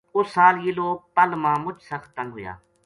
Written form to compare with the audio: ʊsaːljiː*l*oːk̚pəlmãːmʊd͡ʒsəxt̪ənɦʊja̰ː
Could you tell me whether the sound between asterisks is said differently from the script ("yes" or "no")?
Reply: no